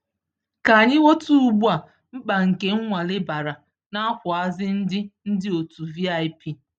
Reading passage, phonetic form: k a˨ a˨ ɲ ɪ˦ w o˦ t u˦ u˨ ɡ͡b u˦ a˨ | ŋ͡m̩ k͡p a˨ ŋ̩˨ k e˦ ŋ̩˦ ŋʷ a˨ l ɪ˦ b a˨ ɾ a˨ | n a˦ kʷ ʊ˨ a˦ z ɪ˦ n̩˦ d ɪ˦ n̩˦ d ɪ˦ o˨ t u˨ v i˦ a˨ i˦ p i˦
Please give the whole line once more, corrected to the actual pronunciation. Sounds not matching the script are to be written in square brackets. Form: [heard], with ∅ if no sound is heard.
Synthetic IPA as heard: k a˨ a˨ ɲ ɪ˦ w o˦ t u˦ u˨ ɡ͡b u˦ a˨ | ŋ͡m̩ k͡p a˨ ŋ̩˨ k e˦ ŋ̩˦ ŋʷ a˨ l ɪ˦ b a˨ ɾ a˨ | n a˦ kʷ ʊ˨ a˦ z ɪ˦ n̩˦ d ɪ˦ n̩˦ d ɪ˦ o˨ t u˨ v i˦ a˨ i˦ p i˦